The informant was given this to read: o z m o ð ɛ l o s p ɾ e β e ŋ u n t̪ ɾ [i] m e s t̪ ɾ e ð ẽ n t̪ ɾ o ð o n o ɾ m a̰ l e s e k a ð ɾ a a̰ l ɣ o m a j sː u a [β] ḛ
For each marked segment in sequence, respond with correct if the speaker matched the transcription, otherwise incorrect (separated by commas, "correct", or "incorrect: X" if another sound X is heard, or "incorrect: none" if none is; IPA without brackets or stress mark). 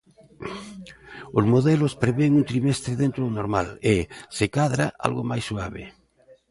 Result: correct, correct